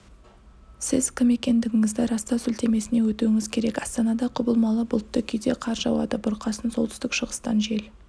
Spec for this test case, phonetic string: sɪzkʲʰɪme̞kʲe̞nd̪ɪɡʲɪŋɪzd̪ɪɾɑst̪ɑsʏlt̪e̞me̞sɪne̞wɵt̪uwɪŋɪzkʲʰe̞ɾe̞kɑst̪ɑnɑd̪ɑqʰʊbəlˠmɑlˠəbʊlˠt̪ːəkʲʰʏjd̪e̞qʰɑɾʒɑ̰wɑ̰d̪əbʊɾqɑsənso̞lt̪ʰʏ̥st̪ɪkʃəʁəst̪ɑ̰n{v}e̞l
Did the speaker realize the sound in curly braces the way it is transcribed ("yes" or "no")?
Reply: no